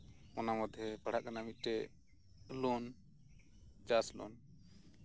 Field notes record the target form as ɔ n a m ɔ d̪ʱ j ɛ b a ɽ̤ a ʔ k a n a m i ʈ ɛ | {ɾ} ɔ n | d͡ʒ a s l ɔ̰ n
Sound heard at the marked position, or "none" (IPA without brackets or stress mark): l